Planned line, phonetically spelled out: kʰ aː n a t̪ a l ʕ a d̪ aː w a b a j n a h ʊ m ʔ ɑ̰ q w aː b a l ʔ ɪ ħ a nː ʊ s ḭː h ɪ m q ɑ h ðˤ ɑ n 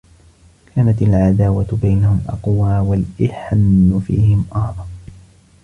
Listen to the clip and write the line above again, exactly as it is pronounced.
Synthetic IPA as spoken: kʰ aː n a t̪ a l ʕ a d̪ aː w a b a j n a h ʊ m ʔ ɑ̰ q w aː w a l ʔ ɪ ħ a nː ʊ f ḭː h ɪ m ʔ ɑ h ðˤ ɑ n